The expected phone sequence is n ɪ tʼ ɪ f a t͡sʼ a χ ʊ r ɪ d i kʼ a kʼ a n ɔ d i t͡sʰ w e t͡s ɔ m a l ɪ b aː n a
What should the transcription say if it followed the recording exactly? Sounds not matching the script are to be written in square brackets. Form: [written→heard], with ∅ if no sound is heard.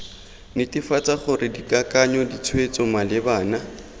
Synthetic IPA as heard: n ɪ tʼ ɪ f a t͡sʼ a χ ʊ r ɪ d i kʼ a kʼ a [n→ɲ] ɔ d i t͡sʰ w e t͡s ɔ m a l ɪ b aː n a